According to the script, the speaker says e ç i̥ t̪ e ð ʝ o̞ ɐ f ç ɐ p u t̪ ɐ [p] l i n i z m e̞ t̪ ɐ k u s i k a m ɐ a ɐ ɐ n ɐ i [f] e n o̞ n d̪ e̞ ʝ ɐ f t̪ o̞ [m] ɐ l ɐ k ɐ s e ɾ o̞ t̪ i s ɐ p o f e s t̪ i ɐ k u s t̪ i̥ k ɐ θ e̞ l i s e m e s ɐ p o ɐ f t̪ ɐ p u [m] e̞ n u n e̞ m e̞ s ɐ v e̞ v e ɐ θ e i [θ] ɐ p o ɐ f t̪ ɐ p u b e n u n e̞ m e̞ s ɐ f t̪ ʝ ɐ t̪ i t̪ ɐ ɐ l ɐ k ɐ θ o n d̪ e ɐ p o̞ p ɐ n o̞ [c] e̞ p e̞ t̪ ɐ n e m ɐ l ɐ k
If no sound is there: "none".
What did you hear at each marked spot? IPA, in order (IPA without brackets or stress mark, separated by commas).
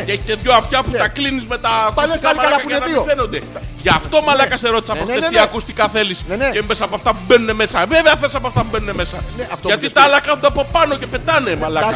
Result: k, f, m, b, s, c